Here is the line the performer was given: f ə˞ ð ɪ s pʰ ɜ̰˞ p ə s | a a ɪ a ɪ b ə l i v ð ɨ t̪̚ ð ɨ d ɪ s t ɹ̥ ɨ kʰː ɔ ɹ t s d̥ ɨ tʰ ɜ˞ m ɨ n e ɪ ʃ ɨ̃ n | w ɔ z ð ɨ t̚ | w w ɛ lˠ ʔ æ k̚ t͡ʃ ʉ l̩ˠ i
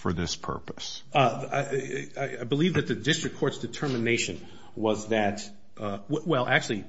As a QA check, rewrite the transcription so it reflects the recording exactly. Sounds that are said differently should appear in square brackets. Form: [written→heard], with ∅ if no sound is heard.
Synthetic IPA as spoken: f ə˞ ð ɪ s pʰ ɜ̰˞ p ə s | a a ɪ a ɪ b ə l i v ð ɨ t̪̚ ð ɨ d ɪ s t ɹ̥ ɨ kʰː ɔ ɹ t s d̥ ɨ tʰ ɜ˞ m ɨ n e ɪ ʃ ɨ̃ n | w [ɔ→ʌ] z ð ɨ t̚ | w w ɛ lˠ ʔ æ k̚ t͡ʃ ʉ l̩ˠ i